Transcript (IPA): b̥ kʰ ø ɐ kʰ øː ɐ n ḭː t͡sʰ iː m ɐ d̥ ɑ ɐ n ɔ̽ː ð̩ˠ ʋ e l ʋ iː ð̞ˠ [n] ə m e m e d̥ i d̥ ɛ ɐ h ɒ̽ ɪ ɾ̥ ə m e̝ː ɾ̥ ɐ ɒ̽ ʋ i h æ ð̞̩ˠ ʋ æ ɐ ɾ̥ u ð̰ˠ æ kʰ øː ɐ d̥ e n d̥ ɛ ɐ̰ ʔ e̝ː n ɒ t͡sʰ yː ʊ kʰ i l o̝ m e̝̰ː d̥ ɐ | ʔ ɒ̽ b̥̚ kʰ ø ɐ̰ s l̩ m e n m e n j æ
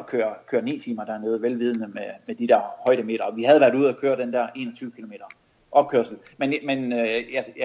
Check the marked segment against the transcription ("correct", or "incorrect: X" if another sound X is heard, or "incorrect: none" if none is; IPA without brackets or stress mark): correct